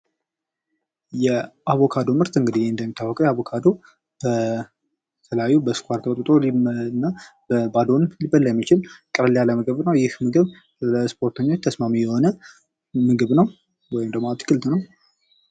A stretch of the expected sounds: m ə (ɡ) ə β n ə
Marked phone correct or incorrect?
correct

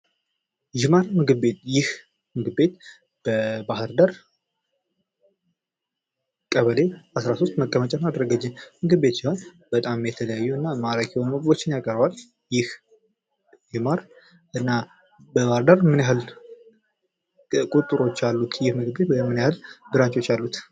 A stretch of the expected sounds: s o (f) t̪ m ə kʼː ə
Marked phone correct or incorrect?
incorrect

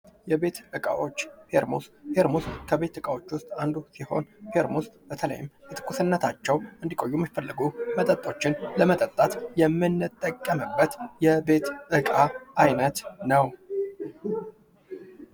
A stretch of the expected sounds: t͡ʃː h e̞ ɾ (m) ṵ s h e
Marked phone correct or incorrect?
correct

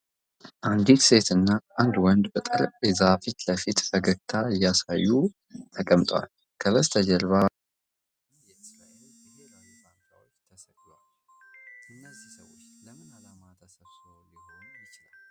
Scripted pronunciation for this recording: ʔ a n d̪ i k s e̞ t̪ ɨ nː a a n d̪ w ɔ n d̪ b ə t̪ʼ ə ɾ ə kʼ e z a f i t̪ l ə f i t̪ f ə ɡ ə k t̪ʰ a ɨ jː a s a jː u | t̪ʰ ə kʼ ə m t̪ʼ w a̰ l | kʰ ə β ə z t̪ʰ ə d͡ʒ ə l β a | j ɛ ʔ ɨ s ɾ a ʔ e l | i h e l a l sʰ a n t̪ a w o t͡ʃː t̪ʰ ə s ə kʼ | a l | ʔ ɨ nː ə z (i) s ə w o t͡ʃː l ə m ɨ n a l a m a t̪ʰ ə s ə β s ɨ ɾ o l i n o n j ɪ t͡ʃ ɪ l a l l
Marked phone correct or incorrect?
correct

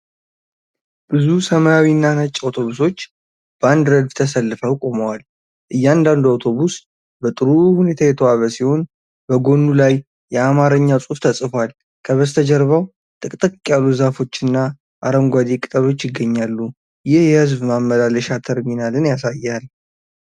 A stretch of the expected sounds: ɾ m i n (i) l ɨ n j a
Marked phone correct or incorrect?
incorrect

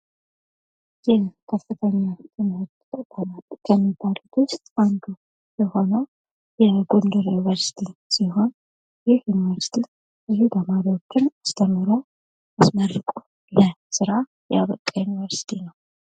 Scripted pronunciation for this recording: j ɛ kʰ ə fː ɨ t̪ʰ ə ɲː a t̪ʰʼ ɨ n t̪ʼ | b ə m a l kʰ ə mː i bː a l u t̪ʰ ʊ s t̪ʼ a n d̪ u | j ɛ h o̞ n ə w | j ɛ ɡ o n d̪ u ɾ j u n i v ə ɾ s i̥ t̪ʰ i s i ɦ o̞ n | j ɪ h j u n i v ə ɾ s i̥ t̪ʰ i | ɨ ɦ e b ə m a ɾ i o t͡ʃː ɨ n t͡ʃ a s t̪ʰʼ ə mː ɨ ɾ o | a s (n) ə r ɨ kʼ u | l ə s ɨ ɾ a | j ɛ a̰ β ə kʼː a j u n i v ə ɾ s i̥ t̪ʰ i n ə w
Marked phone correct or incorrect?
incorrect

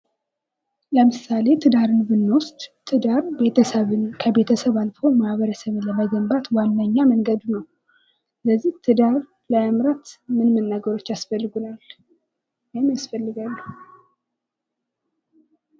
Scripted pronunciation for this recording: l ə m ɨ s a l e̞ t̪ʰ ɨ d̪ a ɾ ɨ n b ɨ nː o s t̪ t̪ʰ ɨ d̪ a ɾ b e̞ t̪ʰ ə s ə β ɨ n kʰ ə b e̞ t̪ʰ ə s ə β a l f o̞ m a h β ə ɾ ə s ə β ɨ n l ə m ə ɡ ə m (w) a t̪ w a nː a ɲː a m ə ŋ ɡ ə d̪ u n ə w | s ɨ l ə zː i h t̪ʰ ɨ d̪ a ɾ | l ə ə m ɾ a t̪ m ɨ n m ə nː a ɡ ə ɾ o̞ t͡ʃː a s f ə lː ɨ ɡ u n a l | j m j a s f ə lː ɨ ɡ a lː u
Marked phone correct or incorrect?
incorrect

